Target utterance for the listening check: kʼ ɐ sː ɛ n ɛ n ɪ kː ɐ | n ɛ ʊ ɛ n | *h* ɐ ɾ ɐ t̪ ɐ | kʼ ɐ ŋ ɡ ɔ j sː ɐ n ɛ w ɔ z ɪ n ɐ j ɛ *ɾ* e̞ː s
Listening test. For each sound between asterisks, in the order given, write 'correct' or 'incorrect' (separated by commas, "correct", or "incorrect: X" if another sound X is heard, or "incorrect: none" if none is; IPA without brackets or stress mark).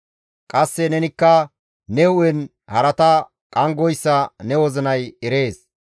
correct, correct